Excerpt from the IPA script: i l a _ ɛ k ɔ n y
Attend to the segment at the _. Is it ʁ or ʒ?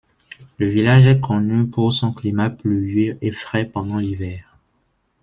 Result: ʒ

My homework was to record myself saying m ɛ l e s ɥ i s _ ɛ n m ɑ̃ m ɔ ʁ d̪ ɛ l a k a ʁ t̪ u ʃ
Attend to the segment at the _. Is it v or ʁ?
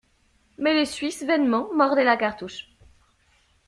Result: v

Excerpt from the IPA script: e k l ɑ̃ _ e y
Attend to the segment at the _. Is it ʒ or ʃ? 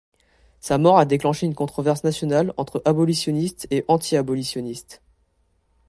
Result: ʃ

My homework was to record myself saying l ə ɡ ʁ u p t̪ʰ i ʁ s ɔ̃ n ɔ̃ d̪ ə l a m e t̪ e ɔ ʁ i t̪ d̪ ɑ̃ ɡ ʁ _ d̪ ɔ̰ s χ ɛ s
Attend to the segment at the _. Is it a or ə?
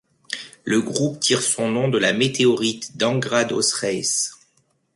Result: a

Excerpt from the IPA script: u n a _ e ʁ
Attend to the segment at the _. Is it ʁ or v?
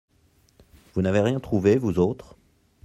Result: v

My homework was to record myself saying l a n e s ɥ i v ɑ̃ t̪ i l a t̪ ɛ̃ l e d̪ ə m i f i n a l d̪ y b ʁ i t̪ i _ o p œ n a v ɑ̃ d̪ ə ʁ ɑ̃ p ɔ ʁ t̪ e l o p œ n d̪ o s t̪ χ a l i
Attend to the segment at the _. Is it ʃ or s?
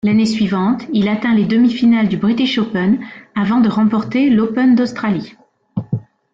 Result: ʃ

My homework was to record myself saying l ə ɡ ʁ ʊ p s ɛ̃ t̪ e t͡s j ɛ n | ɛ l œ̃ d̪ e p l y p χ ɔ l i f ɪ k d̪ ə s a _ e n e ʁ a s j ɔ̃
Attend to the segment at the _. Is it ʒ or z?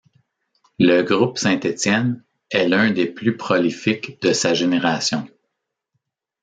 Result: ʒ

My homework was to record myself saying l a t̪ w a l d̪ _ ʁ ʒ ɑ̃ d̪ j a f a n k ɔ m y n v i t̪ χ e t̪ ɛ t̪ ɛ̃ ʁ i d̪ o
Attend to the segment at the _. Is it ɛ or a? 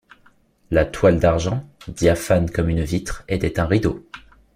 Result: a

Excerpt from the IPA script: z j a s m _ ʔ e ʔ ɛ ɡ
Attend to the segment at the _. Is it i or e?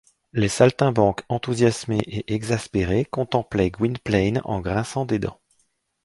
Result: e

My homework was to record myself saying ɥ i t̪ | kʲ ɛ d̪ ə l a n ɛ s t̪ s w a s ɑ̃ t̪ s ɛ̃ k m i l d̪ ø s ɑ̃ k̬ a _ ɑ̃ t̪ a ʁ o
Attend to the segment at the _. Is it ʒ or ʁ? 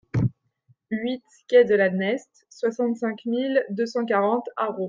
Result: ʁ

